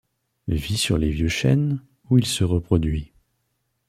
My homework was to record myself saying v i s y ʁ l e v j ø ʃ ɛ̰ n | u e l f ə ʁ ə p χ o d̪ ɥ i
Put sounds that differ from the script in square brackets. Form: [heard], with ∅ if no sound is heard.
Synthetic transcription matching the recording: v i s y ʁ l e v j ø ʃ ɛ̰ n | u [i] l [s] ə ʁ ə p χ [ɔ] d̪ ɥ i